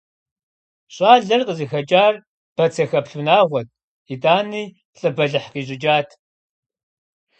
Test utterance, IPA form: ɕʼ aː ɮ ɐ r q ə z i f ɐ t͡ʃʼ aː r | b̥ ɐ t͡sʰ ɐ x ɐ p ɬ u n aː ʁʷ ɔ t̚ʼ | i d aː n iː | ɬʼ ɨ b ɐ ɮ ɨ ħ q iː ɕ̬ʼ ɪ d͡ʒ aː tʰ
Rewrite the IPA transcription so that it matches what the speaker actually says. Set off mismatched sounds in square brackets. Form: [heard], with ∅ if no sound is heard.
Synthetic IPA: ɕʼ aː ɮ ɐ r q ə z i [x] ɐ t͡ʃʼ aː r | b̥ ɐ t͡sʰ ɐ x ɐ p ɬ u n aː ʁʷ ɔ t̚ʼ | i d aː n iː | ɬʼ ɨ b ɐ ɮ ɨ ħ q iː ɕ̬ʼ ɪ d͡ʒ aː tʰ